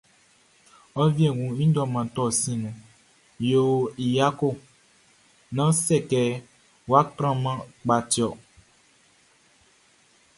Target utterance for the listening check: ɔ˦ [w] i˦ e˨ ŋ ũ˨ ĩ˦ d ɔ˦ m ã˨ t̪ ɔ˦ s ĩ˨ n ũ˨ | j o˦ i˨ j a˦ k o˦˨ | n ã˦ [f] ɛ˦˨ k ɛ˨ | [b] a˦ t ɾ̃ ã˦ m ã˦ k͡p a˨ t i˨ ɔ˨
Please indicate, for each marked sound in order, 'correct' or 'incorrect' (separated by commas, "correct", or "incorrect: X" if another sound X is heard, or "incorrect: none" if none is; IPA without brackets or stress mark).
incorrect: v, incorrect: s, incorrect: w